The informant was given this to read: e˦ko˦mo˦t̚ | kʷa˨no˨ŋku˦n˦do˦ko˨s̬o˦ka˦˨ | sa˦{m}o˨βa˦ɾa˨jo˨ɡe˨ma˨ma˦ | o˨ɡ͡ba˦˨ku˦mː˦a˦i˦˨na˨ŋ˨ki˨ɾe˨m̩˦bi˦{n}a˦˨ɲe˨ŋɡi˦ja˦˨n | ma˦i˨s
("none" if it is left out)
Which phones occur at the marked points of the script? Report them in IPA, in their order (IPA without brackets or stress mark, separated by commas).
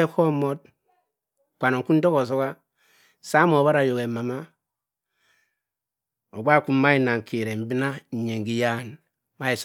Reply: m, n